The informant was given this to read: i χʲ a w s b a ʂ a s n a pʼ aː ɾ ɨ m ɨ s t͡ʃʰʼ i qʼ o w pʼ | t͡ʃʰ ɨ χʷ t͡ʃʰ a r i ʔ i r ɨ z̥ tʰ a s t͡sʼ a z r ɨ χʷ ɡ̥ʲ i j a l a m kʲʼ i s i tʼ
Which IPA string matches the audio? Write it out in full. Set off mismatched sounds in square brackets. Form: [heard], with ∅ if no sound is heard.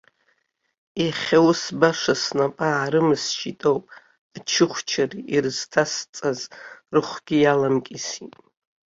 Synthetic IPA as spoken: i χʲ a w s b a ʂ a s n a pʼ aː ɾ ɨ m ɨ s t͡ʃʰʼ i [tʼ] o w pʼ | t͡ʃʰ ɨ χʷ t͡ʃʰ a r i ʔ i r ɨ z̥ tʰ a s t͡sʼ a z r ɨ χʷ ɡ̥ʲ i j a l a m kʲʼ i s i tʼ

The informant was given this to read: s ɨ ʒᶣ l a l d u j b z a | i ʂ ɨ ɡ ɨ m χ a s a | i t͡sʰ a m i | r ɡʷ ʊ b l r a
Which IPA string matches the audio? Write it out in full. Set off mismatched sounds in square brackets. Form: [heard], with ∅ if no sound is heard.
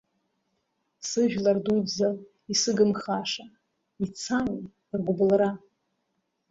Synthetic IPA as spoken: s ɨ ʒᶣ l a [r] d u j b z a | i [s] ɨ ɡ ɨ m χ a [ʂ] a | i t͡sʰ a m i | r ɡʷ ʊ b l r a

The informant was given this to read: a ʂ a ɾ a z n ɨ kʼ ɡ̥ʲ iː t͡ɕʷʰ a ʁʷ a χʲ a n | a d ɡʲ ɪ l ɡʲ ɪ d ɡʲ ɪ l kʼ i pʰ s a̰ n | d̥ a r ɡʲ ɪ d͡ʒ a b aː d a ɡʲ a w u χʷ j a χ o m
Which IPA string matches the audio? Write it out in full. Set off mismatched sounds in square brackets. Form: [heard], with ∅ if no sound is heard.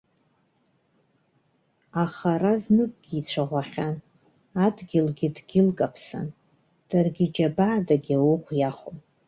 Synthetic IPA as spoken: a [χ] a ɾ a z n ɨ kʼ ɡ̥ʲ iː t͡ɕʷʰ a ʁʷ a χʲ a n | a d ɡʲ ɪ l ɡʲ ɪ d ɡʲ ɪ l kʼ [a] pʰ s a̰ n | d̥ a r ɡʲ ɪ d͡ʒ a b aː d a ɡʲ a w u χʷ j a χ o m

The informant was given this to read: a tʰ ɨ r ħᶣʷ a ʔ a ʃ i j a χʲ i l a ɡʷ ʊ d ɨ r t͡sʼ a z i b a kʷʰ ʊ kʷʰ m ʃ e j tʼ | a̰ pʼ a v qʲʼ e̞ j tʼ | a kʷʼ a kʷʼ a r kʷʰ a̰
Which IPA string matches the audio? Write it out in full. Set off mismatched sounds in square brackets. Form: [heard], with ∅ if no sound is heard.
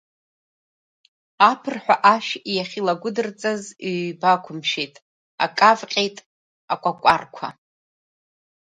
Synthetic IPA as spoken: a [pʰ] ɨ r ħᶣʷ a ʔ a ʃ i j a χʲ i l a ɡʷ ʊ d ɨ r t͡sʼ a z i b a kʷʰ ʊ [∅] m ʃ e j tʼ | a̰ [kʼ] a v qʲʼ e̞ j tʼ | a kʷʼ a kʷʼ a r kʷʰ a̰

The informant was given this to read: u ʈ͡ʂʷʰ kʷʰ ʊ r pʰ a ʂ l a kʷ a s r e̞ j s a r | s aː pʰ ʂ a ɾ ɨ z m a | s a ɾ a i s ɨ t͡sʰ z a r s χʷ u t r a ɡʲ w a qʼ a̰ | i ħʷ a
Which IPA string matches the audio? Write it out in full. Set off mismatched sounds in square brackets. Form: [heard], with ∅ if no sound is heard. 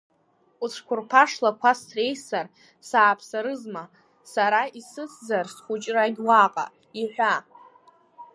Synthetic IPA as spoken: u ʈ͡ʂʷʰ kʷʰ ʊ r pʰ a ʂ l a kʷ a s r e̞ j s a r | s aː pʰ [s] a ɾ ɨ z m a | s a ɾ a i s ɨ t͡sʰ z a r s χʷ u [t͡ʃʼ] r a ɡʲ w a qʼ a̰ | i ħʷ a

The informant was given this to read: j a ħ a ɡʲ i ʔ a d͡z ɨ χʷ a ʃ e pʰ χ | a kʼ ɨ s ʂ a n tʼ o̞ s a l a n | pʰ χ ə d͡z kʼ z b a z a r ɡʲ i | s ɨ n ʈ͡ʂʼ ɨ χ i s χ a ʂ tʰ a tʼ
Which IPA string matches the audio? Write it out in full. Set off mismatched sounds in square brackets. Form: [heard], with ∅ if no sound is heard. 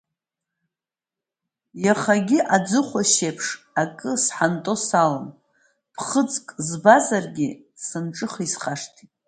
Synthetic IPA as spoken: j a [χ] a ɡʲ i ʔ a d͡z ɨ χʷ a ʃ e pʰ [ʂ] | a kʼ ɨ s [ħ] a n tʼ o̞ s a l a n | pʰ χ ə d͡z kʼ z b a z a r ɡʲ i | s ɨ n ʈ͡ʂʼ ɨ χ i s χ a ʂ tʰ [i] tʼ

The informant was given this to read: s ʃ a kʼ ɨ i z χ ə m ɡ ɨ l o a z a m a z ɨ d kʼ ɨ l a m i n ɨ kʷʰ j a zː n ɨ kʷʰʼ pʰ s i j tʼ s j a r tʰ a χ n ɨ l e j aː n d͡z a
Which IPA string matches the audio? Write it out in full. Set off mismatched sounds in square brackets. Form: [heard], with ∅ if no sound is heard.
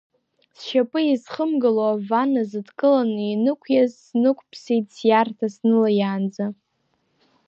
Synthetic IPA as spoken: s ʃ a [pʼ] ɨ i z χ ə m ɡ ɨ l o a [v] a [n] a z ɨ d kʼ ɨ l a [n] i n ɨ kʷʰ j a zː n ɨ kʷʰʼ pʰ s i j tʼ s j a r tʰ a [s] n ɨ l [a] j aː n d͡z a

